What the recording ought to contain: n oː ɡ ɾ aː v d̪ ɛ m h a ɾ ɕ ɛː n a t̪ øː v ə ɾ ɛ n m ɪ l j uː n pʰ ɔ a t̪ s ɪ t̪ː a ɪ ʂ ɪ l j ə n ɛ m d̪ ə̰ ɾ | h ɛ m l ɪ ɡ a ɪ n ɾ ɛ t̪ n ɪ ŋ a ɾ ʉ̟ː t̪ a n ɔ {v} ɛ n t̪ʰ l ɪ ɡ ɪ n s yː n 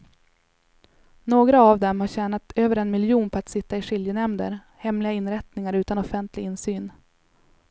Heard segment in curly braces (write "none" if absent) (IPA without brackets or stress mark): f